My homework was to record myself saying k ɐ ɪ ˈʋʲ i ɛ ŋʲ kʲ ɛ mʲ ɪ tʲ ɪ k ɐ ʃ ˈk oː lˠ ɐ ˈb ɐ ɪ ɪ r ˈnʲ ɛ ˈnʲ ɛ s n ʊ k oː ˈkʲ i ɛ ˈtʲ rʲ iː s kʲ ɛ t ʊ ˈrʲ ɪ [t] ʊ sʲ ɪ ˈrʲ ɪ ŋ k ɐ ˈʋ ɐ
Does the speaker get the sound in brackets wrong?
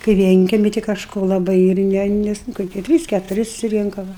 yes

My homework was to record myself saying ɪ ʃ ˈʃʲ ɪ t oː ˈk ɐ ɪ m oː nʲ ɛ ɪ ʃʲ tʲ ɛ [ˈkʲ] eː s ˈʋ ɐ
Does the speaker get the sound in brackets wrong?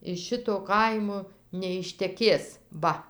no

